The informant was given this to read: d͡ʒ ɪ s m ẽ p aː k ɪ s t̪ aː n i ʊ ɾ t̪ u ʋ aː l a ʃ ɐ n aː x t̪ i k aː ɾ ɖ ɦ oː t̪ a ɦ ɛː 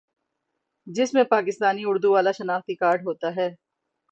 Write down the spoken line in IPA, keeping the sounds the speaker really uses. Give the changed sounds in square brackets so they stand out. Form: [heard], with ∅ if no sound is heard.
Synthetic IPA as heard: d͡ʒ ɪ s m ẽ p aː k ɪ s t̪ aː n i ʊ ɾ [d̪] u ʋ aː l a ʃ ɐ n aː x t̪ i k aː ɾ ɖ ɦ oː t̪ a ɦ ɛː

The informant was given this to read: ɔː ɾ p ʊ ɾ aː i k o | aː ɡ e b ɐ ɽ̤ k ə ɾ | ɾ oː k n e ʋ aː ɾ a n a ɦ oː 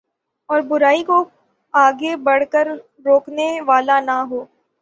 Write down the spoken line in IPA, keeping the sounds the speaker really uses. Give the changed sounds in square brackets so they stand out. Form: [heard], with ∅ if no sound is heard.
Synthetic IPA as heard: ɔː ɾ [b] ʊ ɾ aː i k o | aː ɡ e b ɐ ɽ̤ k ə ɾ | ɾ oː k n e ʋ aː [l] a n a ɦ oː

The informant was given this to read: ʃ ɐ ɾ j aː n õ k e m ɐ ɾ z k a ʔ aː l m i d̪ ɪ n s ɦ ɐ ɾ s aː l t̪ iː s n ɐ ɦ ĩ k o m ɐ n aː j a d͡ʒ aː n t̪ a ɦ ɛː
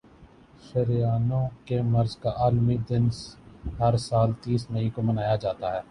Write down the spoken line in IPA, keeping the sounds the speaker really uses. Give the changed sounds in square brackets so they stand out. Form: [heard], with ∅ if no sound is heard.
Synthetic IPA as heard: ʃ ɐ ɾ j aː n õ k e m ɐ ɾ z k a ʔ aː l m i d̪ ɪ n s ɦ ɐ ɾ s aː l t̪ iː s [m] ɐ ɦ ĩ k o m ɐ n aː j a d͡ʒ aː [∅] t̪ a ɦ ɛː

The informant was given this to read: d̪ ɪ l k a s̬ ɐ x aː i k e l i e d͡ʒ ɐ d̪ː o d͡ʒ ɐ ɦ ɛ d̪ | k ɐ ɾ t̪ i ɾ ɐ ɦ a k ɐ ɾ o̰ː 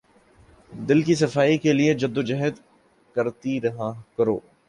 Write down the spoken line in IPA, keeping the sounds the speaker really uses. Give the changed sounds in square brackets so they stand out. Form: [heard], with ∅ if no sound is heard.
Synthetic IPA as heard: d̪ ɪ l k [i] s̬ ɐ [f] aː i k e l i e d͡ʒ ɐ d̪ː o d͡ʒ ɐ ɦ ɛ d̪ | k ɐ ɾ t̪ i ɾ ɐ ɦ a k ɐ ɾ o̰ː

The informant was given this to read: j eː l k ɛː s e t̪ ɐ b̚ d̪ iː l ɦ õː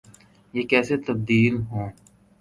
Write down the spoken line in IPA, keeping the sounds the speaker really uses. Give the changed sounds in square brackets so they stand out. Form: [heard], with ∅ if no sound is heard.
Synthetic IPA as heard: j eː [∅] k ɛː s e t̪ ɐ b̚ d̪ iː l ɦ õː

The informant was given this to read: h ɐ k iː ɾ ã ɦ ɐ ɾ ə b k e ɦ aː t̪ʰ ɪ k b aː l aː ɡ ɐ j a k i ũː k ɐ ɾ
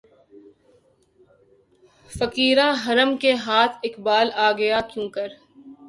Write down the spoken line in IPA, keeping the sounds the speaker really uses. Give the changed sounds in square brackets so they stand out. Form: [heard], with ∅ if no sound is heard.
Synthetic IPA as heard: [f] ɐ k iː ɾ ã ɦ ɐ ɾ ə [m] k e ɦ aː t̪ʰ ɪ k b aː l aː ɡ ɐ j a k [j] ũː k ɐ ɾ

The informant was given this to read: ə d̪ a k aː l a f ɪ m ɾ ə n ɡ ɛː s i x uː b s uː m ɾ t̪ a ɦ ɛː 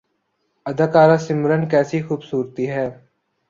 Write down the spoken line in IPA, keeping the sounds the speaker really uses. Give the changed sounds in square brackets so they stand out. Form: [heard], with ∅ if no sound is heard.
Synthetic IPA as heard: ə d̪ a k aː [ɾ] a [s] ɪ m ɾ ə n [k] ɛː s i x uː b s uː [∅] ɾ t̪ [i] ɦ ɛː

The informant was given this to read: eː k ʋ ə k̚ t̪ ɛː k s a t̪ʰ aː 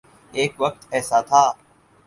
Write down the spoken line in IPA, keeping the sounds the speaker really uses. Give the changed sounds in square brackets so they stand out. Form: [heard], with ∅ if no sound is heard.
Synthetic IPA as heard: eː k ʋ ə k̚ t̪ ɛː [∅] s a t̪ʰ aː

